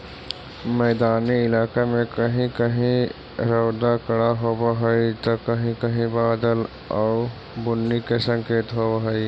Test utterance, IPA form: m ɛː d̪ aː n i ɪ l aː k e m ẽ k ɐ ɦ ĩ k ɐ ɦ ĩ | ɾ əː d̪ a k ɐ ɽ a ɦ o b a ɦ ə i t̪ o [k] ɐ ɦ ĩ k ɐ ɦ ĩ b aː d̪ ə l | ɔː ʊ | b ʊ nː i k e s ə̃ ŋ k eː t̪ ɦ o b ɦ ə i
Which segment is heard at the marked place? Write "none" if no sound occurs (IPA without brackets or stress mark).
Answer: k